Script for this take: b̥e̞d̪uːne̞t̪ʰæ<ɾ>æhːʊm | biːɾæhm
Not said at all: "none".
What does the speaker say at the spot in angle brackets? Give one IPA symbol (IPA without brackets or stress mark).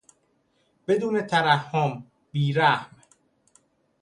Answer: ɾ